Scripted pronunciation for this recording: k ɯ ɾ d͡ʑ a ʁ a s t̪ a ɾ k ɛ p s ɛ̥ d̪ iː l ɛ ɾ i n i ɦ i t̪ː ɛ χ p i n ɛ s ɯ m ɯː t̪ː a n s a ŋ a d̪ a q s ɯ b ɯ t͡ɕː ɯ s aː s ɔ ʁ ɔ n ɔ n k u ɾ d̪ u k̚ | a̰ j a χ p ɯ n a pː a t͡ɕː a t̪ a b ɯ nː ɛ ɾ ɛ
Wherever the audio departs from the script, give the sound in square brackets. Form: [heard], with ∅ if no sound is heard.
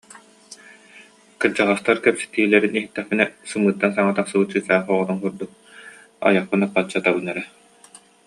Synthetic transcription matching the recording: k ɯ ɾ d͡ʑ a ʁ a s t̪ a ɾ k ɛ p s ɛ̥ [t̪] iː l ɛ ɾ i n i ɦ i t̪ː ɛ χ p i n ɛ s ɯ m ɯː t̪ː a n s a ŋ a [t̪] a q s ɯ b ɯ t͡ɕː ɯ s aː [χ] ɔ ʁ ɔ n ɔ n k u ɾ d̪ u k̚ | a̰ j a χ p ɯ n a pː a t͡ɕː a t̪ a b ɯ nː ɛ ɾ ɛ